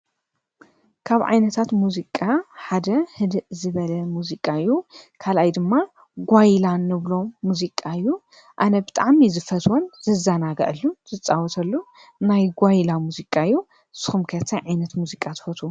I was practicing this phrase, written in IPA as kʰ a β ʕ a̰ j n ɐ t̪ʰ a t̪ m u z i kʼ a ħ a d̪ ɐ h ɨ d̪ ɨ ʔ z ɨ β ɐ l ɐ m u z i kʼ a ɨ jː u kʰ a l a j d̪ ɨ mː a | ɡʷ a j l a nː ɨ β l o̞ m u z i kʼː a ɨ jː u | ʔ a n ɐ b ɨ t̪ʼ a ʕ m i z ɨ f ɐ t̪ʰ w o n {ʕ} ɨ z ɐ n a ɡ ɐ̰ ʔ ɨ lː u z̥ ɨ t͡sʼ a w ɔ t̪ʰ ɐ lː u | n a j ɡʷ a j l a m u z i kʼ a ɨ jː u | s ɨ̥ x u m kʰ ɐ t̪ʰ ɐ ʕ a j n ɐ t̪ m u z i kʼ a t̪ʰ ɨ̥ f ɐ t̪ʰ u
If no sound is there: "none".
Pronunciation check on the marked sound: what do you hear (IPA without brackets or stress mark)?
z